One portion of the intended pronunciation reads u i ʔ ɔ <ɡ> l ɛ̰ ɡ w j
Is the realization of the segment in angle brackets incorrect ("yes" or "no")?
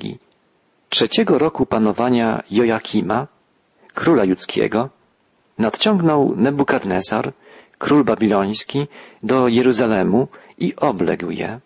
yes